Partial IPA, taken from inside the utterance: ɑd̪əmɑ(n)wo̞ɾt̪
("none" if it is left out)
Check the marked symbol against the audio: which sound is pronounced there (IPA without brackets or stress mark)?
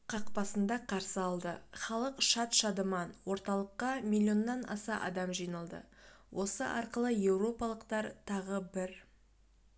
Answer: n